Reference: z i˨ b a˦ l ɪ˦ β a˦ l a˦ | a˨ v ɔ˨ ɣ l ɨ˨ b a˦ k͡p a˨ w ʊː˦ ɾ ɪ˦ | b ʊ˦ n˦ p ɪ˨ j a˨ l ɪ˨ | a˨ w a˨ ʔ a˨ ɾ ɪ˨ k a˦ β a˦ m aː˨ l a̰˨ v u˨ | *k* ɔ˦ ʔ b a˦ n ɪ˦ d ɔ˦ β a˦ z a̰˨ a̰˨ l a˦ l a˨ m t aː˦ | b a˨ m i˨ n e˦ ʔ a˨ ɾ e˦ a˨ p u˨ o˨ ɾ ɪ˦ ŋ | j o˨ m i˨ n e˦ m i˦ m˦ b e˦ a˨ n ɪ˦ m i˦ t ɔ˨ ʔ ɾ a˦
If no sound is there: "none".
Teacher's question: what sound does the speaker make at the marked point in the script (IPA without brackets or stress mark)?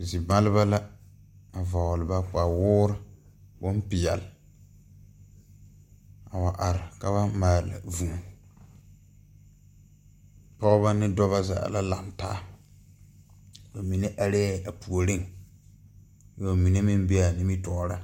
p